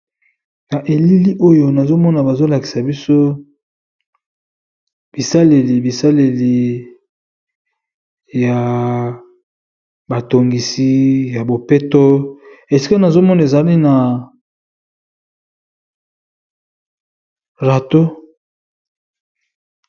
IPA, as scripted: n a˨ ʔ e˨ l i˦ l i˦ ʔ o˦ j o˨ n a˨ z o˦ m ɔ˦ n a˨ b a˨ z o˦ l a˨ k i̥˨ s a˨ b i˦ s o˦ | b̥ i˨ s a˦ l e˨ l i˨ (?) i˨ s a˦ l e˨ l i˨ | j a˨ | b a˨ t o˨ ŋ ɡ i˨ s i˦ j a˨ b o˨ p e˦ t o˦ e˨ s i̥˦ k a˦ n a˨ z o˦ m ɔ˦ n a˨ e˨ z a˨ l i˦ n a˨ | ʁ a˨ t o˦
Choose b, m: b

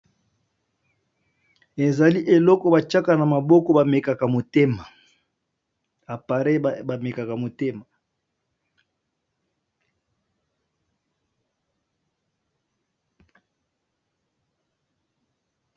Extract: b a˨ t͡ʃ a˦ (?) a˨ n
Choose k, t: k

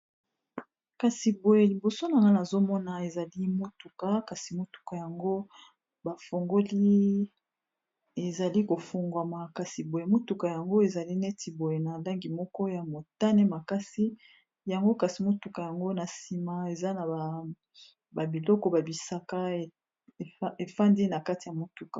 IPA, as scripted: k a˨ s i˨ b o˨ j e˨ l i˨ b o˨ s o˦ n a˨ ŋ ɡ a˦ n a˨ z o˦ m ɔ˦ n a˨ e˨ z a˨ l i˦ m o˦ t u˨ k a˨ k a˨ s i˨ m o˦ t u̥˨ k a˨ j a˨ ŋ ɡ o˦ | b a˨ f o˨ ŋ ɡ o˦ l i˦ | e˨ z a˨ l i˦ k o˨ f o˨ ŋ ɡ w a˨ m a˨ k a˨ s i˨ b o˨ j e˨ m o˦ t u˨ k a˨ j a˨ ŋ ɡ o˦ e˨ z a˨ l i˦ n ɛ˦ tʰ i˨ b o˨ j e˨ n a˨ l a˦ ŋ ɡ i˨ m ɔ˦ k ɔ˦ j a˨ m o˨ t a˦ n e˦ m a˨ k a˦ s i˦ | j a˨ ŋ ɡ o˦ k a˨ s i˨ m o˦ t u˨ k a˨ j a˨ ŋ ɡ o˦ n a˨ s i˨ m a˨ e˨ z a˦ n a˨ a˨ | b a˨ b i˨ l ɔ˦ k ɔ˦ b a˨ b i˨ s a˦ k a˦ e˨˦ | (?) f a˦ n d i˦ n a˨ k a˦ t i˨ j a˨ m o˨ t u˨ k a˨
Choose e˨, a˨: e˨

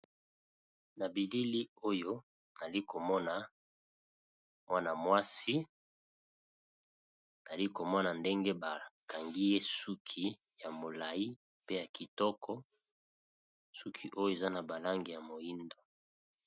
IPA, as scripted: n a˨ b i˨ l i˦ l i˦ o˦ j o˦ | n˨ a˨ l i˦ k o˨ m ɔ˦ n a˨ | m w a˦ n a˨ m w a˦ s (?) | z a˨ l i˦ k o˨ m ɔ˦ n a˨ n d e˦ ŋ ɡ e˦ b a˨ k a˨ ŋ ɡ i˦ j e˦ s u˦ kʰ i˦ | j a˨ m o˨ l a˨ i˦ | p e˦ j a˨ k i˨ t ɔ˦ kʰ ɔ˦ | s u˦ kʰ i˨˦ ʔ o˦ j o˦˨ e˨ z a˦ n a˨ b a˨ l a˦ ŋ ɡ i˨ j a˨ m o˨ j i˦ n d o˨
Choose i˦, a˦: i˦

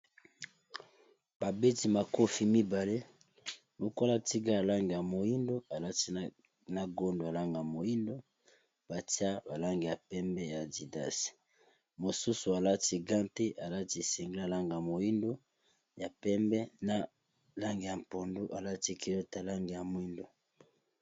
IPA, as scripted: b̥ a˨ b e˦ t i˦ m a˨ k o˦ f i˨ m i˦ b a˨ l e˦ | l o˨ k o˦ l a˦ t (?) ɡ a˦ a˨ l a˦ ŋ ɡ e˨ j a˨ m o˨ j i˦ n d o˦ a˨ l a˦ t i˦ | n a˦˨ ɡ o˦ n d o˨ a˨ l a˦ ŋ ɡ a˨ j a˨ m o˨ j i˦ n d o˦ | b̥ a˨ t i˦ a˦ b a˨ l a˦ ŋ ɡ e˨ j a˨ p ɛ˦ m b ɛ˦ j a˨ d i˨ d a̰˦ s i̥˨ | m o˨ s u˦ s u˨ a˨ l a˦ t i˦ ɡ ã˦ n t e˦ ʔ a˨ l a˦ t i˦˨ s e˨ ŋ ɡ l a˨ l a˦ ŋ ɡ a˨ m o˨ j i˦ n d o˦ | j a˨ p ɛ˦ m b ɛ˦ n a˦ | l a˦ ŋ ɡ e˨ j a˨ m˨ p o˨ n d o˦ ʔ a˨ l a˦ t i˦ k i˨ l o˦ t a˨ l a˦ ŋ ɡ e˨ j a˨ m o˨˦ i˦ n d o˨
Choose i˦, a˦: i˦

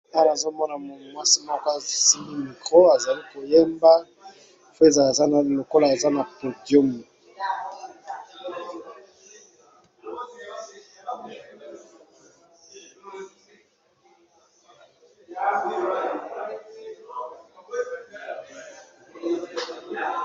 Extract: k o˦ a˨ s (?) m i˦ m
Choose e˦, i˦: i˦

